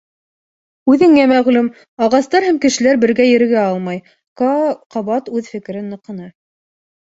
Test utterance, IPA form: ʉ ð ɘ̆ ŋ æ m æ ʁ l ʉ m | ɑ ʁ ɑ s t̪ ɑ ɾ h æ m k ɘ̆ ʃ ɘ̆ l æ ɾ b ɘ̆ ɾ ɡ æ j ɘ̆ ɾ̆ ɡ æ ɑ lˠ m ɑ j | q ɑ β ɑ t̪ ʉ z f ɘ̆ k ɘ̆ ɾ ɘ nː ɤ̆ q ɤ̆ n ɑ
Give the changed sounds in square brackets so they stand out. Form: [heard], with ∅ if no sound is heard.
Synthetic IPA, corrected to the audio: ʉ ð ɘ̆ ŋ æ m æ ʁ l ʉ m | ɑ ʁ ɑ s t̪ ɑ ɾ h æ m k ɘ̆ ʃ ɘ̆ l æ ɾ b ɘ̆ ɾ ɡ æ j ɘ̆ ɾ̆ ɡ æ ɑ lˠ m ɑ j | q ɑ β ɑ t̪ ʉ [ð] f ɘ̆ k ɘ̆ ɾ ɘ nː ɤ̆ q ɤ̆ n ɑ